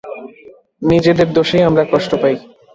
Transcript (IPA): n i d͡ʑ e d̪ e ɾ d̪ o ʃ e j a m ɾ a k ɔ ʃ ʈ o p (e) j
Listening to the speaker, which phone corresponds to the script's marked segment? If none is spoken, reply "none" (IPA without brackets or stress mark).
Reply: a